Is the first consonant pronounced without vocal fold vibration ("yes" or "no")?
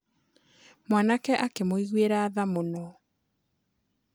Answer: no